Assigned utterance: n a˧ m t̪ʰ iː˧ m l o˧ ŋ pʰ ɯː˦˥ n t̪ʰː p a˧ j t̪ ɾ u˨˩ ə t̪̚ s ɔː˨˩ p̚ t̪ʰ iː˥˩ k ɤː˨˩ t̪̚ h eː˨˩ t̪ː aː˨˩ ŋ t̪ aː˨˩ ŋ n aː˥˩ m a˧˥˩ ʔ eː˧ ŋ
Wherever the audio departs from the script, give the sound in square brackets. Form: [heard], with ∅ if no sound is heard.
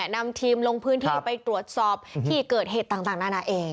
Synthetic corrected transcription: n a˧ m t̪ʰ iː˧ m l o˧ ŋ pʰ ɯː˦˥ n t̪ʰː p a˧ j t̪ ɾ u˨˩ ə t̪̚ s ɔː˨˩ p̚ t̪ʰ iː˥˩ k ɤː˨˩ t̪̚ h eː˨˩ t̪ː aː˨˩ ŋ t̪ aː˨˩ ŋ n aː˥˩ [n] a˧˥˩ ʔ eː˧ ŋ